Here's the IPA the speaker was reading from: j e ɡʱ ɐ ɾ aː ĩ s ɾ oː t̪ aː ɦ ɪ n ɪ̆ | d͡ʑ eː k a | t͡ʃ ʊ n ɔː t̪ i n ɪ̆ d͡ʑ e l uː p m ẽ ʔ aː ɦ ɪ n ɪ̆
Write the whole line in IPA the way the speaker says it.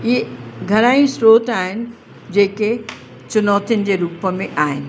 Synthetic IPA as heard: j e ɡʱ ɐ ɾ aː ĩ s ɾ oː t̪ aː ɦ ɪ n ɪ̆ | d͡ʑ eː k e | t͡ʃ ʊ n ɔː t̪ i n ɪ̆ d͡ʑ e ɾ uː p m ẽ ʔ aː ɦ ɪ n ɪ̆

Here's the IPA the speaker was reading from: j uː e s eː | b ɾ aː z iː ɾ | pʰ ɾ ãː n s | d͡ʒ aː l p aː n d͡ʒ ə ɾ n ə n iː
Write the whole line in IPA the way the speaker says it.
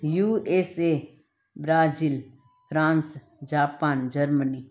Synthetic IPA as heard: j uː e s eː | b ɾ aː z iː l | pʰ ɾ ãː n s | d͡ʒ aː p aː n d͡ʒ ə ɾ m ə n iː

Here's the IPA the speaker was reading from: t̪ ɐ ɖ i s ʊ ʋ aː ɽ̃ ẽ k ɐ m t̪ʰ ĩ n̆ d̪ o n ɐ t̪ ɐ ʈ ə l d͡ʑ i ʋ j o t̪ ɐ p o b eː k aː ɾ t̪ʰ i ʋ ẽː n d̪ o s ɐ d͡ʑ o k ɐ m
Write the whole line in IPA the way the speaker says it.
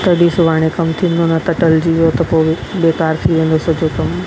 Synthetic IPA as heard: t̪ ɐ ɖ i s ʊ ʋ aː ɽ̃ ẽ k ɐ m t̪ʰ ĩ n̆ d̪ o n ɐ t̪ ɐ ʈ ə l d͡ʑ i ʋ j o t̪ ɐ p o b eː k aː ɾ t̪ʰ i ʋ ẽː n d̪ o s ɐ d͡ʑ o k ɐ m

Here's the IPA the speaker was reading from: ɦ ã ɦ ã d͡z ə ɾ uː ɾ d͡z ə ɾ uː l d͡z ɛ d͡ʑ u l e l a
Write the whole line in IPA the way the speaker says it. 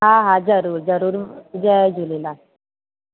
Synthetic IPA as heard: ɦ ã ɦ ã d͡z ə ɾ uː ɾ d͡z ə ɾ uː ɾ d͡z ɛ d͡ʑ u l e l a

